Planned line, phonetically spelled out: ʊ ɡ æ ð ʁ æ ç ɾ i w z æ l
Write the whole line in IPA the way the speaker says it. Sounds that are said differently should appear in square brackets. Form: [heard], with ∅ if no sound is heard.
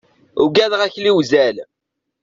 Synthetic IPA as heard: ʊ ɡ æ ð ʁ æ ç [l] i w z æ l